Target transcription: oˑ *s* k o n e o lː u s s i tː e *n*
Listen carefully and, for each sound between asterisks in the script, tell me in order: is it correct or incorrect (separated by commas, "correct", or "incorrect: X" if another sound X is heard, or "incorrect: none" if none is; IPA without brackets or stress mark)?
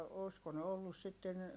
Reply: correct, correct